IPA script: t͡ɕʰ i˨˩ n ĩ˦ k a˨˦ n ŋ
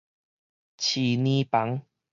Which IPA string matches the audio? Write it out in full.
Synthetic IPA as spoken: t͡ɕʰ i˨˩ n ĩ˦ p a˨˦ ŋ